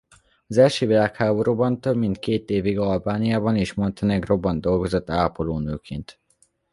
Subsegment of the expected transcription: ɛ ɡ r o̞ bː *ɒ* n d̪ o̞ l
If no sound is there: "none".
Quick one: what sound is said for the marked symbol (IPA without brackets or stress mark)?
ɒ